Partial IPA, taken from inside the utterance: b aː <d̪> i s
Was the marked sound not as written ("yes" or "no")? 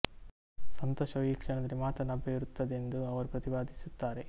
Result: no